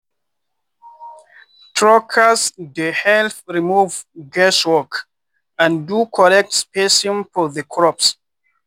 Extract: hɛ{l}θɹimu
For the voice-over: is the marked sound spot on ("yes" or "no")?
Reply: yes